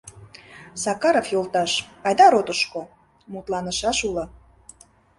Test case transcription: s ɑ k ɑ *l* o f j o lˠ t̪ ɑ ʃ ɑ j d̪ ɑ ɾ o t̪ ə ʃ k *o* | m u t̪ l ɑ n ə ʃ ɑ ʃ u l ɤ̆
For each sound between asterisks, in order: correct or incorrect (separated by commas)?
incorrect, correct